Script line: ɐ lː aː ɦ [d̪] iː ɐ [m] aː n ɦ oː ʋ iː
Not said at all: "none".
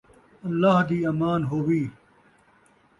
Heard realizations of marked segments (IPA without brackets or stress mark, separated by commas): d̪, m